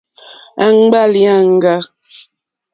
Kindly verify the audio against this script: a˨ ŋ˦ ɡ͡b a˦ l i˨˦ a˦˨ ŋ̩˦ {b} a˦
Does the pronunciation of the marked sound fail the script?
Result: yes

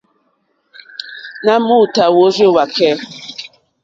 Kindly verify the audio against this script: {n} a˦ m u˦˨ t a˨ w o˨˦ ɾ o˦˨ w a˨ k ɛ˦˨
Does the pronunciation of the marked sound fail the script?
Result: no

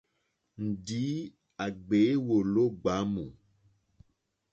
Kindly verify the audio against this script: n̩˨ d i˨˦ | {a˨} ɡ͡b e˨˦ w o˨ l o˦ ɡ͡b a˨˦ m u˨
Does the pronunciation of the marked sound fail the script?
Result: no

